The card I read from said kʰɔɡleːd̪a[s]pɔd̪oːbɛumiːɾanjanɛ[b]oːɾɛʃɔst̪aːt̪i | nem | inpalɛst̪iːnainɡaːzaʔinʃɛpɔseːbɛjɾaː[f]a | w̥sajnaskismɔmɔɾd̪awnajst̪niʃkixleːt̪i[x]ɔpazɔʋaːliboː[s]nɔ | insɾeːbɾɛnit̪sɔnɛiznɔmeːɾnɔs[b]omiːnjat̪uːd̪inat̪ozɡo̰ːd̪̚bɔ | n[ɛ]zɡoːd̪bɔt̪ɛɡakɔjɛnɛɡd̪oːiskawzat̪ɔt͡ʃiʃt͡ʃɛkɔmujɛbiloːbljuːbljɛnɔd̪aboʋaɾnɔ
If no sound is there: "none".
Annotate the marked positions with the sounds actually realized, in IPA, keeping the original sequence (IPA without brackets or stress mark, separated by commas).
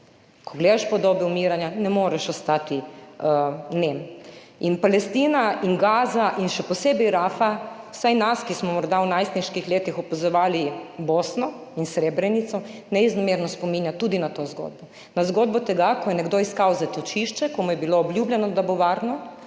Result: ʃ, m, f, x, s, p, a